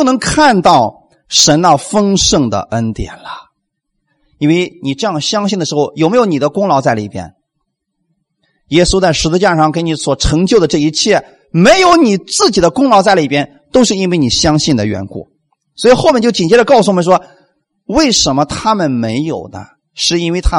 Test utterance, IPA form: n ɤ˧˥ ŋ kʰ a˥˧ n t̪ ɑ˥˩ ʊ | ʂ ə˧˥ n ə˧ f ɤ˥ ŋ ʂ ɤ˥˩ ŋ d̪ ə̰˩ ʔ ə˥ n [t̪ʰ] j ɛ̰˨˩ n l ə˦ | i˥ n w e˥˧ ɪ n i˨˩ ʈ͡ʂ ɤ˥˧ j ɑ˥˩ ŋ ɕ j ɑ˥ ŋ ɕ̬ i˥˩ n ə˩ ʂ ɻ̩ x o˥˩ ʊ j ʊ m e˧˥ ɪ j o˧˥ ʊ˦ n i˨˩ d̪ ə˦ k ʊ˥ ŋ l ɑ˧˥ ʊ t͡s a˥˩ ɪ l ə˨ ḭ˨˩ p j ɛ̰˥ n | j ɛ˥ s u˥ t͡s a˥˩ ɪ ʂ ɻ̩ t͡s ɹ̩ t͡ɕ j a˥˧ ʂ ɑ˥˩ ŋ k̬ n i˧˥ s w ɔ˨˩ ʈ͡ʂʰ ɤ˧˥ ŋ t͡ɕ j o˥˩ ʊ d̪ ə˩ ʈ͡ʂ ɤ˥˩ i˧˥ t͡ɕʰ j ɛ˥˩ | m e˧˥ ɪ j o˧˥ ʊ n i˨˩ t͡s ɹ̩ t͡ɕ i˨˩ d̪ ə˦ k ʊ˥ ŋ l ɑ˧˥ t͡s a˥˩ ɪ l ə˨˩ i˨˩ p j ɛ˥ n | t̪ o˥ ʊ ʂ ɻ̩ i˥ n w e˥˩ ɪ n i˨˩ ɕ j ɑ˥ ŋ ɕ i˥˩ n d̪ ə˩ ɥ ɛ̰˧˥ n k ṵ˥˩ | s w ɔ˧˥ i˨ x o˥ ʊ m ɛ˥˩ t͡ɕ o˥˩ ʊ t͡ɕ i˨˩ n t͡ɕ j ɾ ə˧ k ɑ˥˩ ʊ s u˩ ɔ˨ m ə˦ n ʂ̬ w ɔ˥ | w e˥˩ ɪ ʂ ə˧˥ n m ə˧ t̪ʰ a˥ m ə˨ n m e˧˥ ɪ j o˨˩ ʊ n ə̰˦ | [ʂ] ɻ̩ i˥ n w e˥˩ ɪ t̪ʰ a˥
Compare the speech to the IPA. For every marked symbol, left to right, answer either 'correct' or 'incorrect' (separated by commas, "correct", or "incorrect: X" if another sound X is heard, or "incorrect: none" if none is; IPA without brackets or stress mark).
incorrect: t̪, correct